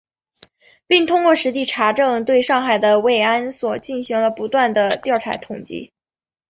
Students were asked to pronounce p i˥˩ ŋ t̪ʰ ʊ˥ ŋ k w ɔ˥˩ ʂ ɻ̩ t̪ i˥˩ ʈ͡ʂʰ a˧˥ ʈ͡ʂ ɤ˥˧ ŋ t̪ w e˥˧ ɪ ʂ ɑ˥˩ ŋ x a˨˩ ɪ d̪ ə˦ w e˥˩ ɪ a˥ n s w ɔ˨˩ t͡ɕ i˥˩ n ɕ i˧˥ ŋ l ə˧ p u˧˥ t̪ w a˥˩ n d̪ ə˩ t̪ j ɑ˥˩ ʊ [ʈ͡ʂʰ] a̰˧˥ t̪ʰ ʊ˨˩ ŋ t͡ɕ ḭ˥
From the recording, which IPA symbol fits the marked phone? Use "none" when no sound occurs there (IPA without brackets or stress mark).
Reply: ʈ͡ʂʰ